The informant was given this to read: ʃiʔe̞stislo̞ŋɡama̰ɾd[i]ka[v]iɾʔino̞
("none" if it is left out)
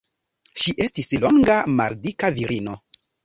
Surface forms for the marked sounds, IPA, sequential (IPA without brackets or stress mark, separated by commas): i, v